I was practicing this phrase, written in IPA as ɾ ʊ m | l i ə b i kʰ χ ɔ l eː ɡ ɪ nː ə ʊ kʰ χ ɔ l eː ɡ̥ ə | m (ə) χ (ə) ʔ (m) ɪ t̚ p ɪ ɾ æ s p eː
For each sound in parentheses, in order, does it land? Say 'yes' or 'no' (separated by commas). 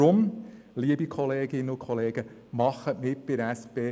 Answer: no, yes, yes